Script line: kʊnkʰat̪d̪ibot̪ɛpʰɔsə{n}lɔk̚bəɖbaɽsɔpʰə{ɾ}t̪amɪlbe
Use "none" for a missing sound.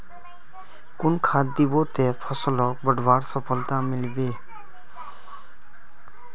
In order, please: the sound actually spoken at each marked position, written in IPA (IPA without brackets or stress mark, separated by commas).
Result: none, l